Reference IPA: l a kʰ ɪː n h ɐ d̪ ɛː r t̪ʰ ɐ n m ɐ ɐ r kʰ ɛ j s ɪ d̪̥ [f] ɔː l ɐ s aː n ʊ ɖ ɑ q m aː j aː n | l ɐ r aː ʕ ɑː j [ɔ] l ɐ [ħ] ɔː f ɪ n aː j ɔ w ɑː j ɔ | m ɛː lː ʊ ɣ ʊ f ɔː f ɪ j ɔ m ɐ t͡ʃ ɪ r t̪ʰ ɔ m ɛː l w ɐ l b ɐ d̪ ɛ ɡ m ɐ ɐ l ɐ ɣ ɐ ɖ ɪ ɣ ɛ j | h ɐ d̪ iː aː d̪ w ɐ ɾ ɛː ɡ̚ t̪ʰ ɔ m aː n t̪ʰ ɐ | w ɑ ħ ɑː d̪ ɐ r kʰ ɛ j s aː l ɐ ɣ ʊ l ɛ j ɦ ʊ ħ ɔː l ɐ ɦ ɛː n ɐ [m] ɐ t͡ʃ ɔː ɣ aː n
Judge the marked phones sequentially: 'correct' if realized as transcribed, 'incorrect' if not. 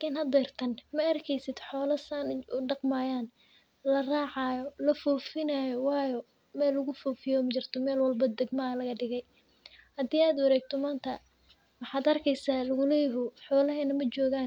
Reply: incorrect, correct, incorrect, correct

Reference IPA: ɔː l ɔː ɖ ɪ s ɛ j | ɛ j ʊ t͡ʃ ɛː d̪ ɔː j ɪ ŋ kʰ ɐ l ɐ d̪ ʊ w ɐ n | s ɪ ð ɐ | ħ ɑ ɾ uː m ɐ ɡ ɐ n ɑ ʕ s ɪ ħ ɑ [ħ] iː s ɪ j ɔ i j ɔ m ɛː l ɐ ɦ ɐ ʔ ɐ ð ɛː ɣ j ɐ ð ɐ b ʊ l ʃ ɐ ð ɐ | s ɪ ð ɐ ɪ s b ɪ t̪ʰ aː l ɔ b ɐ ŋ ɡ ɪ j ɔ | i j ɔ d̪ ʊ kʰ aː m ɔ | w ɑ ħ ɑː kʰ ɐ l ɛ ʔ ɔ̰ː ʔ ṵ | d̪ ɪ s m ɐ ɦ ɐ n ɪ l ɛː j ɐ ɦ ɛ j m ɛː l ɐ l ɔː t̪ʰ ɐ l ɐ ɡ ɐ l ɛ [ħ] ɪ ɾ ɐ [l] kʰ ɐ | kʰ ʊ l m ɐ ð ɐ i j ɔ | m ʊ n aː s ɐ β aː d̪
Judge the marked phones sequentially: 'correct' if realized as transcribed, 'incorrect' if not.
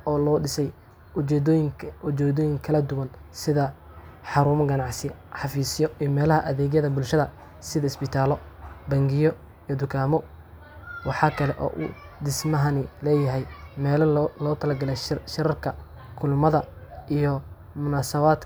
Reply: incorrect, incorrect, incorrect

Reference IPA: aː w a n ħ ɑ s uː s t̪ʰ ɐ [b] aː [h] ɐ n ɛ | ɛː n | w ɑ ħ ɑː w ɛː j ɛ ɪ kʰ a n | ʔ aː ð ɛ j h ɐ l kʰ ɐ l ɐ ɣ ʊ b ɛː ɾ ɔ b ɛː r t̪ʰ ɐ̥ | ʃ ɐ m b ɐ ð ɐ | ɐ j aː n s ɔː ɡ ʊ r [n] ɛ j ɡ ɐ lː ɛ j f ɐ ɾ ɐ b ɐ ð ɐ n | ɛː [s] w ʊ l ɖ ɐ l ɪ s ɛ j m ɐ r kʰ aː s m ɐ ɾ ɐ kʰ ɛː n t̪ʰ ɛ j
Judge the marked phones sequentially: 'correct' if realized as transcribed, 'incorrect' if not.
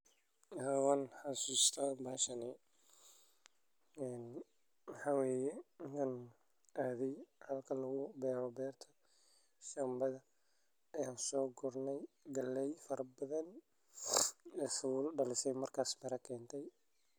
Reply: correct, incorrect, correct, correct

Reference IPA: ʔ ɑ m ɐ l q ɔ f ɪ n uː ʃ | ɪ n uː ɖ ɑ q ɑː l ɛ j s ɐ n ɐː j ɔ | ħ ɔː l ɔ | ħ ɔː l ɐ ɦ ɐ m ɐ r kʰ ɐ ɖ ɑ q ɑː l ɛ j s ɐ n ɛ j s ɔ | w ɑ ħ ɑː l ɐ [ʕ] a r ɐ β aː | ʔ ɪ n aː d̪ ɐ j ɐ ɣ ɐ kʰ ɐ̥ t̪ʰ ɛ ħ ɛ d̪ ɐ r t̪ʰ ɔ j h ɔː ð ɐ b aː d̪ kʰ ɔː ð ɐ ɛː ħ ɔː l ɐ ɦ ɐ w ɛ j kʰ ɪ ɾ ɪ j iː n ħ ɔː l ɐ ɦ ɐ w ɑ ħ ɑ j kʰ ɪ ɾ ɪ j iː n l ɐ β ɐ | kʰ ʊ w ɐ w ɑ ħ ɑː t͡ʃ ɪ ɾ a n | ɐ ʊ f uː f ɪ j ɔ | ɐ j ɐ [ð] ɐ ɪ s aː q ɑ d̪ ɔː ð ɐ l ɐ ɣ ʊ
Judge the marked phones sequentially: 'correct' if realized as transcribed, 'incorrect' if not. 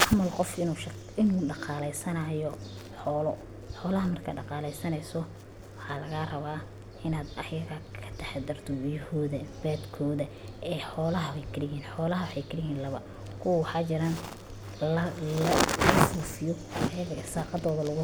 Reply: incorrect, incorrect

